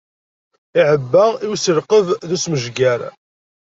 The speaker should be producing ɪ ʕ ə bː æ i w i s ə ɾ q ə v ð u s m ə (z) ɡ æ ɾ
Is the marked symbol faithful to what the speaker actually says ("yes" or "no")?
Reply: no